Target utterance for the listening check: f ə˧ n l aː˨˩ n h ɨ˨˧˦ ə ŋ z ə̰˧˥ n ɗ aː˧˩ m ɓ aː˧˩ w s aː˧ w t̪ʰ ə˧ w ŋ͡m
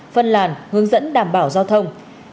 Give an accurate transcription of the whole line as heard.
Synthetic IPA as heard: f ə˧ n l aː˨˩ n h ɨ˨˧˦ ə ŋ z ə̰˧˥ n ɗ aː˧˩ m ɓ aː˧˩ w z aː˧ w t̪ʰ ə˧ w ŋ͡m